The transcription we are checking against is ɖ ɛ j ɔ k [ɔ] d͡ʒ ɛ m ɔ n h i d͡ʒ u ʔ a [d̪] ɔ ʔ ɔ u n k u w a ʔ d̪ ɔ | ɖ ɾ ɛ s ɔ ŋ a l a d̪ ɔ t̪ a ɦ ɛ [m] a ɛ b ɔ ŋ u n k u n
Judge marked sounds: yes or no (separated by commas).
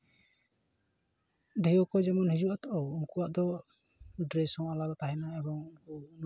yes, no, no